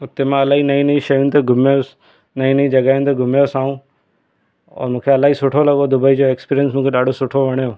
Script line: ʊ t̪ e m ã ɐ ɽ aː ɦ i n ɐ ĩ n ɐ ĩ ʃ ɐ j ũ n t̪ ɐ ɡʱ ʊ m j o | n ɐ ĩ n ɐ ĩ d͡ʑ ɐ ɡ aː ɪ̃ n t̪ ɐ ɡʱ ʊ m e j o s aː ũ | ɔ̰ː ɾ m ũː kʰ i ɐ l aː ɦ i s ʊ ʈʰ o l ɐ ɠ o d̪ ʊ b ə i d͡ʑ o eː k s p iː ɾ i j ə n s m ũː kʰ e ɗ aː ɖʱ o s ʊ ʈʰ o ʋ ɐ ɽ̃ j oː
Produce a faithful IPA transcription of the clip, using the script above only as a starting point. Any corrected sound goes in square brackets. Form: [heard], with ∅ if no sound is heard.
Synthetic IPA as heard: ʊ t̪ e m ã ɐ [l] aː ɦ i n ɐ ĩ n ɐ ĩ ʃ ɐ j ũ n t̪ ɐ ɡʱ ʊ m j o | n ɐ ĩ n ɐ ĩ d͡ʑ ɐ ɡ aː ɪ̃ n t̪ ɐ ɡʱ ʊ m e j o s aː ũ | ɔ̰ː ɾ m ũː kʰ [e] ɐ l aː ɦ i s ʊ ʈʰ o l ɐ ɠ o d̪ ʊ b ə i d͡ʑ o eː k s p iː ɾ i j ə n s m ũː kʰ e ɗ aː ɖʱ o s ʊ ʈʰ o ʋ ɐ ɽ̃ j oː

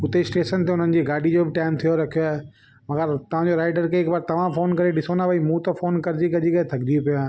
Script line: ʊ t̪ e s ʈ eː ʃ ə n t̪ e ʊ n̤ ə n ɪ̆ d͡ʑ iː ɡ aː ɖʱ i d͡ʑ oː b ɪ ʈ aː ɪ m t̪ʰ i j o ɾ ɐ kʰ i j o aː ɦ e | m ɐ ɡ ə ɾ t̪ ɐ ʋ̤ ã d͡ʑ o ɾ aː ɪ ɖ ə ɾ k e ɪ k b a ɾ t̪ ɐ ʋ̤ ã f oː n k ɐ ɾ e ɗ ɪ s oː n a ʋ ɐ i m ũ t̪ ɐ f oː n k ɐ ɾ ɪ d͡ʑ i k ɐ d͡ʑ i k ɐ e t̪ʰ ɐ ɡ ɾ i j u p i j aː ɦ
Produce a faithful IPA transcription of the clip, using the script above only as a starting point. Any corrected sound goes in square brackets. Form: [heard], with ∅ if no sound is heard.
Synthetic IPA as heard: ʊ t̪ e s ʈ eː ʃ ə n t̪ e ʊ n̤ ə n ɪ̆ d͡ʑ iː ɡ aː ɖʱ i d͡ʑ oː b ɪ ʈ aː ɪ m t̪ʰ i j o ɾ ɐ kʰ i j o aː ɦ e | m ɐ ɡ ə ɾ t̪ ɐ ʋ̤ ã d͡ʑ o ɾ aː ɪ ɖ ə ɾ k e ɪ k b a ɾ t̪ ɐ ʋ̤ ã f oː n k ɐ ɾ e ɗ ɪ s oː n a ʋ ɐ i m ũ t̪ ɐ f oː n k ɐ ɾ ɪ d͡ʑ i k ɐ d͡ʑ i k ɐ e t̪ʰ ɐ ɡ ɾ i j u p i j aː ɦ

